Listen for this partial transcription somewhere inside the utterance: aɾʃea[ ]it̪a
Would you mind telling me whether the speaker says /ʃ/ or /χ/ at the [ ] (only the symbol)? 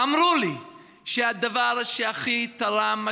χ